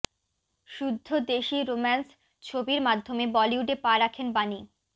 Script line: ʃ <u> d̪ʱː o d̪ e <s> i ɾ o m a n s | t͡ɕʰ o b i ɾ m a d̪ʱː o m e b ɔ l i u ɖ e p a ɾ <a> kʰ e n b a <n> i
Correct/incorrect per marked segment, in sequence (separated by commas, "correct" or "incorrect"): correct, incorrect, correct, correct